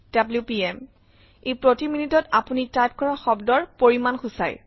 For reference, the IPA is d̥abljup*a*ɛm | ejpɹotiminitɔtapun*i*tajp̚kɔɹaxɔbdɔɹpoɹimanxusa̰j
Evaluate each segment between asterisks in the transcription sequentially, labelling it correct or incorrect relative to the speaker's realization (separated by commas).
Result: incorrect, correct